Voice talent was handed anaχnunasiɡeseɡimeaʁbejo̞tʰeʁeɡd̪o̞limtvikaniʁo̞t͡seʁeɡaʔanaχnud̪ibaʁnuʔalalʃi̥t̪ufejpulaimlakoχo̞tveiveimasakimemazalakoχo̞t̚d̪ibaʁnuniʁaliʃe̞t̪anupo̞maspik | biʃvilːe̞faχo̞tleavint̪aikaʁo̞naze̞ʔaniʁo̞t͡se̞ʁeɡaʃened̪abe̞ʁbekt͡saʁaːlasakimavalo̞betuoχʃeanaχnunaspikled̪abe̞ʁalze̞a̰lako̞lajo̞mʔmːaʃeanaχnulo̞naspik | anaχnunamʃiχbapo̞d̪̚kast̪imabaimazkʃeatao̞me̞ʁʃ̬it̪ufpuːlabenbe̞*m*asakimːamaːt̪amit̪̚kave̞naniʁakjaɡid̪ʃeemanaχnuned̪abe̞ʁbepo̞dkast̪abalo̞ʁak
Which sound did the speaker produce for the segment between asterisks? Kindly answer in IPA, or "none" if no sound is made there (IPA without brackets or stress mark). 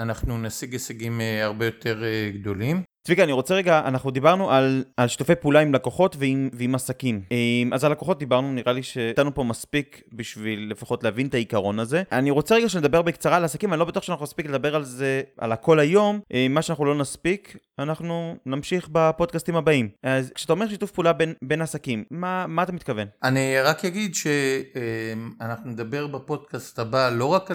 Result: n